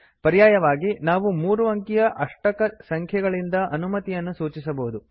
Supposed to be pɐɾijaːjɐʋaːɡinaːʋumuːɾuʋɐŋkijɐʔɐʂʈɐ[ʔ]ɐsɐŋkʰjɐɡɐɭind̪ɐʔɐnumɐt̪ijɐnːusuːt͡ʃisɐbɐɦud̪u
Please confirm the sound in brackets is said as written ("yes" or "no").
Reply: no